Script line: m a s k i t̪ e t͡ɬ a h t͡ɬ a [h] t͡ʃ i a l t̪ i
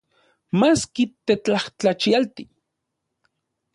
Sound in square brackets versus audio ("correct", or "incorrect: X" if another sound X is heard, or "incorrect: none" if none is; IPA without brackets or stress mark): incorrect: none